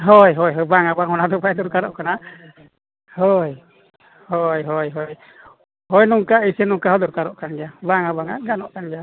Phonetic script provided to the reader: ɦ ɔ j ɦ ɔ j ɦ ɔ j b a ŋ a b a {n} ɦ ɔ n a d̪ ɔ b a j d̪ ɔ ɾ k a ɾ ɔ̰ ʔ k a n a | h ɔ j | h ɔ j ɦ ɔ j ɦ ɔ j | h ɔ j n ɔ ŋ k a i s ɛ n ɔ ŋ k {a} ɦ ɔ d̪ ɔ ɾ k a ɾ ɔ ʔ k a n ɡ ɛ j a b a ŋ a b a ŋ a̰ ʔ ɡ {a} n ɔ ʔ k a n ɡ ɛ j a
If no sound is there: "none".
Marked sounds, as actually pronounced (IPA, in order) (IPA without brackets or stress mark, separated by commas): ŋ, a, a